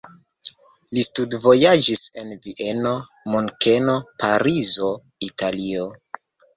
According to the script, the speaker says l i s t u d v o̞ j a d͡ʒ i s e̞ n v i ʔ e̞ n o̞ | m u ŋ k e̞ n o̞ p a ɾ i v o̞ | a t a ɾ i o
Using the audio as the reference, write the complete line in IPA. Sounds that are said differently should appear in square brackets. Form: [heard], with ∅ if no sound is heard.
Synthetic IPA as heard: l i s t u d v o̞ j a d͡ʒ i s e̞ n v i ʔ e̞ n o̞ | m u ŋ k e̞ n o̞ p a ɾ i [z] o̞ | [i] t a [l] i o